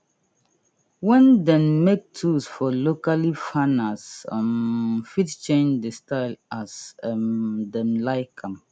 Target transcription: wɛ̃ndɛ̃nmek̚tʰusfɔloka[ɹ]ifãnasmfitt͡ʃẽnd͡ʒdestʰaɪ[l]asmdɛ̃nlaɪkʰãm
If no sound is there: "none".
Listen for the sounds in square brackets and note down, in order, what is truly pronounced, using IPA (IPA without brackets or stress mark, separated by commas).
l, l